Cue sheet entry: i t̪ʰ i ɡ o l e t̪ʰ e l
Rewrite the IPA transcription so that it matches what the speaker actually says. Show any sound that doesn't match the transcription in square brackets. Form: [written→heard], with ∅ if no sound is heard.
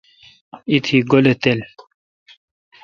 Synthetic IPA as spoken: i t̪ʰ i ɡ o l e [t̪ʰ→t̪] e l